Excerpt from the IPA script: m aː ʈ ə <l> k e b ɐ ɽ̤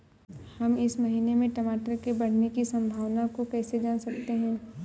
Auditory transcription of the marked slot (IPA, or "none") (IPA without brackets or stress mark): ɾ